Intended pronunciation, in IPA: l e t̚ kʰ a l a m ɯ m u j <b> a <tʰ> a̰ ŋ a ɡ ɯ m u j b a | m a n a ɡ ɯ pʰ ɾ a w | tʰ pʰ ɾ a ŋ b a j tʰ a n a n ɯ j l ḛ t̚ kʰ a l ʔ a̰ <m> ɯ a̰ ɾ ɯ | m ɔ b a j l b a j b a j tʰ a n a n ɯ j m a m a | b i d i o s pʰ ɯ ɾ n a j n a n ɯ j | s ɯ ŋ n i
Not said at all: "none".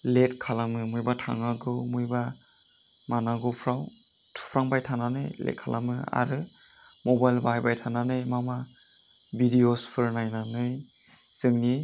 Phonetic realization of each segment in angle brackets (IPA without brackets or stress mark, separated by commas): b, tʰ, m